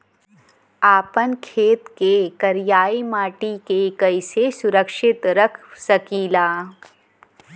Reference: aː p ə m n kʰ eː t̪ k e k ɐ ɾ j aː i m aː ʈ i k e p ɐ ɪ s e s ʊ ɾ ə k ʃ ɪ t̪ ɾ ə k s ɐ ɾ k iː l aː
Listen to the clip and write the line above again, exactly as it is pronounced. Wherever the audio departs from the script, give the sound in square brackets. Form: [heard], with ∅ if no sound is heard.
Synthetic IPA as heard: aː p ə [∅] n kʰ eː t̪ k e k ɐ ɾ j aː i m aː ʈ i k e [k] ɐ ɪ s e s ʊ ɾ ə k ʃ ɪ t̪ ɾ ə [kʰ] s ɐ [∅] k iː l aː